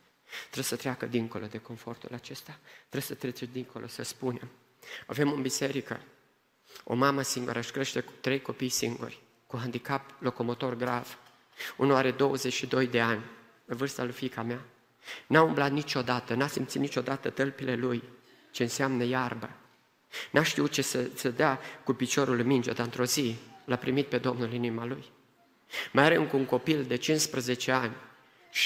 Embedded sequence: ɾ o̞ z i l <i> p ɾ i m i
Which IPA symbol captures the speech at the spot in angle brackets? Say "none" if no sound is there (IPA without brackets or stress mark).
a